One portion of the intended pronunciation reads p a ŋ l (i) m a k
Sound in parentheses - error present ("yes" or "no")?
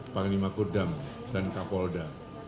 no